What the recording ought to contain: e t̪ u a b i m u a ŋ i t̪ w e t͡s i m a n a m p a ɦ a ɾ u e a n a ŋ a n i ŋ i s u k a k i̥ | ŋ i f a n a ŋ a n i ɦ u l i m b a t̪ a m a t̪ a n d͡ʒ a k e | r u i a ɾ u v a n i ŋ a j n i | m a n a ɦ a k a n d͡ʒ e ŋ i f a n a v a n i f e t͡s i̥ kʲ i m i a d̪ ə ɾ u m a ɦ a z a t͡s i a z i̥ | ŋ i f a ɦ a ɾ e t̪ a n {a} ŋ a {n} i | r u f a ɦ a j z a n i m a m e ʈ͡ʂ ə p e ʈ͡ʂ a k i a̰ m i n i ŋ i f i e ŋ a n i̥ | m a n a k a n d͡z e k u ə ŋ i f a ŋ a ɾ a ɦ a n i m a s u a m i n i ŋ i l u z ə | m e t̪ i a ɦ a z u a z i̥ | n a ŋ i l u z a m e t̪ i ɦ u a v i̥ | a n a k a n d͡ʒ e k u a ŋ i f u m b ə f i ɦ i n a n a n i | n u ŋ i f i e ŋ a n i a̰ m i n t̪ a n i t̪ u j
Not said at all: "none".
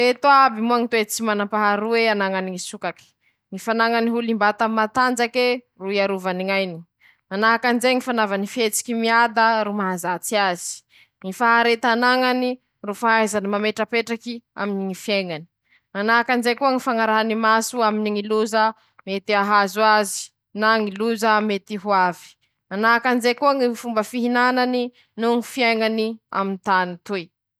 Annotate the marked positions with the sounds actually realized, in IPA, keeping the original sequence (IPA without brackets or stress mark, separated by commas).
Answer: a, n